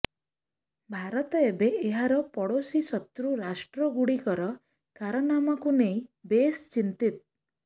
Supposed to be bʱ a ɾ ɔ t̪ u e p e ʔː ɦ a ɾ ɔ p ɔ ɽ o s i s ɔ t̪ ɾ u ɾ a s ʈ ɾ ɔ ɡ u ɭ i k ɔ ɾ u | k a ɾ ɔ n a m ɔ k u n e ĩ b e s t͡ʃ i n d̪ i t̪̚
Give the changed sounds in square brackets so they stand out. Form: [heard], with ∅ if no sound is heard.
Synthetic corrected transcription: bʱ a ɾ ɔ t̪ [ɔ] e [b] e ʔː ɦ a ɾ ɔ p ɔ ɽ o s i s ɔ t̪ ɾ u ɾ a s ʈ ɾ ɔ ɡ u [ɽ] i k ɔ ɾ [ɔ] | k a ɾ ɔ n a m ɔ k u n e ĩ b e s t͡ʃ i n [t̪] i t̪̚

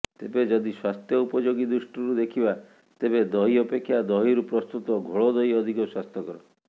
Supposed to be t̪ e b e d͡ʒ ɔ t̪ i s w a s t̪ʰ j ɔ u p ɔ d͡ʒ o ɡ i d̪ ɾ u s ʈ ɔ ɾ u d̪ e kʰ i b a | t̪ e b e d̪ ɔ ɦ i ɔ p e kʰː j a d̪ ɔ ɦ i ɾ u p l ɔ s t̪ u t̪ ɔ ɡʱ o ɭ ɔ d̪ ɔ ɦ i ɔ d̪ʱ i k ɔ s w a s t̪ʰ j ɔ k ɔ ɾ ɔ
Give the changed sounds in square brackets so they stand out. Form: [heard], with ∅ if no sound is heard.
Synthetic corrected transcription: t̪ e b e d͡ʒ ɔ [d̪] i s w a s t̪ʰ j ɔ u p ɔ d͡ʒ o ɡ i d̪ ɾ u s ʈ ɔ ɾ u d̪ e kʰ i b a | t̪ e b e d̪ ɔ ɦ i ɔ p e kʰː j a d̪ ɔ ɦ i ɾ u p [ɾ] ɔ s t̪ u t̪ ɔ ɡʱ o ɭ ɔ d̪ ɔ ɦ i ɔ d̪ʱ i k ɔ s w a s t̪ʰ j ɔ k ɔ ɾ ɔ

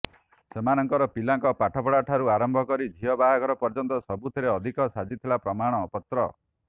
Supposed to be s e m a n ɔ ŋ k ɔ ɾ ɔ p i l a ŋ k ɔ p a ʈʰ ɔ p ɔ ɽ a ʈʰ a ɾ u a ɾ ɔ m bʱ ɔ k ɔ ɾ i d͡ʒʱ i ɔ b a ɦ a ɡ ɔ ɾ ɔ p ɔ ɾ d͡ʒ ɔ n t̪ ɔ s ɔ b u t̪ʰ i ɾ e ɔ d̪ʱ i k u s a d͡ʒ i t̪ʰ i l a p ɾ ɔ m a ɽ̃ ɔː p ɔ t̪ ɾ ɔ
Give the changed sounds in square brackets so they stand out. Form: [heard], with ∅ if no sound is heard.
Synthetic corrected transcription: s e m a n ɔ ŋ k ɔ ɾ ɔ p i l a ŋ k ɔ p a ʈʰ ɔ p ɔ ɽ a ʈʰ a ɾ u a ɾ ɔ m bʱ ɔ k ɔ ɾ i d͡ʒʱ i ɔ b a ɦ a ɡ ɔ ɾ ɔ p ɔ ɾ d͡ʒ ɔ n t̪ ɔ s ɔ b u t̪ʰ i ɾ e ɔ d̪ʱ i k [ɔ] s a d͡ʒ i t̪ʰ i l a p ɾ ɔ m a ɽ̃ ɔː p ɔ t̪ ɾ ɔ

